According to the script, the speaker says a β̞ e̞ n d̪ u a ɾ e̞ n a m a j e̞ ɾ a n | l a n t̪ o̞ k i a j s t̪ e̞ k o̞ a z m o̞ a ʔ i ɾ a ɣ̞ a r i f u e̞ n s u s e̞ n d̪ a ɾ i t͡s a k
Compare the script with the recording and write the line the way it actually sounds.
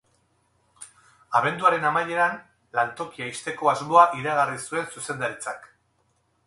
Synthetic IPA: a β̞ e̞ n d̪ u a ɾ e̞ n a m a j e̞ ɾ a n | l a n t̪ o̞ k i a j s t̪ e̞ k o̞ a z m o̞ a ʔ i ɾ a ɣ̞ a r i s u e̞ n s u s e̞ n d̪ a ɾ i t͡s a k